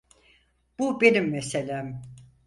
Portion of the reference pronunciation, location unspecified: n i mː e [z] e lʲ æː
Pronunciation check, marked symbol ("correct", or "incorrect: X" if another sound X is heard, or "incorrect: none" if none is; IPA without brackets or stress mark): incorrect: s